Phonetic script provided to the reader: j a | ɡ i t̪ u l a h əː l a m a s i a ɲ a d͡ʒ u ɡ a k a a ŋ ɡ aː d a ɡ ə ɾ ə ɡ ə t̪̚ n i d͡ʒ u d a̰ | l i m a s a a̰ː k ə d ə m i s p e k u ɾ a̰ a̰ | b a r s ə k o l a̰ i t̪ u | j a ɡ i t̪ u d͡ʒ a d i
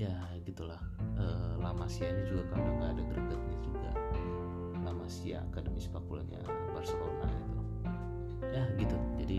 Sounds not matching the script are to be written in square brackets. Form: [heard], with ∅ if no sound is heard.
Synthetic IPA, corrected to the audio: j a | ɡ i t̪ u l a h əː l a m a s i a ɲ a d͡ʒ u ɡ a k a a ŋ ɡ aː d a ɡ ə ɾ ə ɡ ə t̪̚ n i d͡ʒ u [ɡ] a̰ | l [a] m a s [i] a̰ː k [a] d ə m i s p [a] k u [l] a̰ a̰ | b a r s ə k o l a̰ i t̪ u | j a ɡ i t̪ u d͡ʒ a d i